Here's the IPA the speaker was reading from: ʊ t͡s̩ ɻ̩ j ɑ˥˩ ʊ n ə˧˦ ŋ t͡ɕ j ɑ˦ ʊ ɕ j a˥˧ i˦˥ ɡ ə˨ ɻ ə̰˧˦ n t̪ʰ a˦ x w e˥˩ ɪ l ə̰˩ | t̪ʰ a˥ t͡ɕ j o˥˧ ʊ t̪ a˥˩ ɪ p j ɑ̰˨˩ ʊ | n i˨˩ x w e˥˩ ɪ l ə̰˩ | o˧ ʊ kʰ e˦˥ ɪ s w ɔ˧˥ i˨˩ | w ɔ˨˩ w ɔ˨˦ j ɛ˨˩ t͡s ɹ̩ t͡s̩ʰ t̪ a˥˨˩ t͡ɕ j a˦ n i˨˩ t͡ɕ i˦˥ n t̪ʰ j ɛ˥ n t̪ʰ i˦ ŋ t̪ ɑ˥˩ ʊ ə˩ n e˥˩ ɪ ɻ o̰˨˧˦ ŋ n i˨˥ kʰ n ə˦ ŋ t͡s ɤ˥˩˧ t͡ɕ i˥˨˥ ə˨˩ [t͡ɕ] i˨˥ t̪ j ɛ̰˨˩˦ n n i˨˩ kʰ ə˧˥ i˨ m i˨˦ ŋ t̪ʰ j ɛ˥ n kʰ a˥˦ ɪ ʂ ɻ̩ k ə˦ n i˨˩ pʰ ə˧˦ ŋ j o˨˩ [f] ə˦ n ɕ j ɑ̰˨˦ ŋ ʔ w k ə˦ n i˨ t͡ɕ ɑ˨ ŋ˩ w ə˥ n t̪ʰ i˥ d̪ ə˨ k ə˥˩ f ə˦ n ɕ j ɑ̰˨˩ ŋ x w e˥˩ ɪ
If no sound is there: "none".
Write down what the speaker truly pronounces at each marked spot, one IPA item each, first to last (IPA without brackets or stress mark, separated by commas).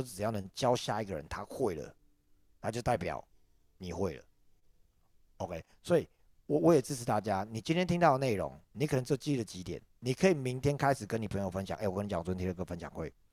t͡ɕ, f